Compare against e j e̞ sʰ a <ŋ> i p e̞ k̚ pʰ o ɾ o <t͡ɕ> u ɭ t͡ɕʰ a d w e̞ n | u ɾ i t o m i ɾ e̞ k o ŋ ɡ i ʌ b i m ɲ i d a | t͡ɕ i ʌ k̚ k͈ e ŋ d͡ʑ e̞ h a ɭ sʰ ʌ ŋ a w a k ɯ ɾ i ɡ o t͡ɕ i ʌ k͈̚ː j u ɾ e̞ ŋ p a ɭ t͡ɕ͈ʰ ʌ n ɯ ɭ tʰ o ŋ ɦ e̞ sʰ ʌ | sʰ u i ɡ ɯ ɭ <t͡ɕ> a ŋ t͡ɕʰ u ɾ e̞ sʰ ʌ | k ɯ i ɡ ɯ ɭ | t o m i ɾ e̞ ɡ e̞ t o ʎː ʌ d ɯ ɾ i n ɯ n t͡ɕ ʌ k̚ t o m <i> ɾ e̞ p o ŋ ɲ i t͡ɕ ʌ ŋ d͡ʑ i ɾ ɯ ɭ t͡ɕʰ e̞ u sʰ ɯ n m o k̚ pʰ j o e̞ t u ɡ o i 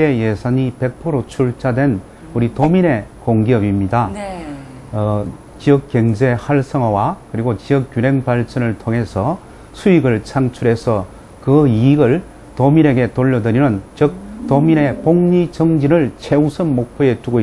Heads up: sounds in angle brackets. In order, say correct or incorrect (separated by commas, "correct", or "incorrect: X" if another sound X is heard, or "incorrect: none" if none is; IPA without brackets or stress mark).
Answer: incorrect: ɲ, incorrect: t͡ɕʰ, incorrect: t͡ɕʰ, correct